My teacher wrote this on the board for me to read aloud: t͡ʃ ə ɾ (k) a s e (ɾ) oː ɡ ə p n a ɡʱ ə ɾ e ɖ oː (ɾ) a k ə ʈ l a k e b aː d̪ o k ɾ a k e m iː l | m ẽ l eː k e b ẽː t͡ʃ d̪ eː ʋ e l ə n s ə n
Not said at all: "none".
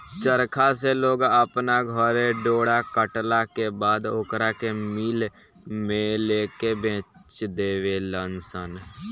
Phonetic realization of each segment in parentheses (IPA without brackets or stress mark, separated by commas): kʰ, l, ɽ